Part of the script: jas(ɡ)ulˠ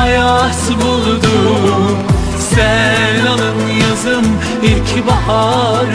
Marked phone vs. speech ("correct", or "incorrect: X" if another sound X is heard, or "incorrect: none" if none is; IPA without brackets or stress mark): incorrect: b